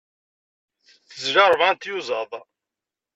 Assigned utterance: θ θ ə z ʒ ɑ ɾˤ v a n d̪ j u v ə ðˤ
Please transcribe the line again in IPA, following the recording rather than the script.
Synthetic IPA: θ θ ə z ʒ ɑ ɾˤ v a n t̪ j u z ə ðˤ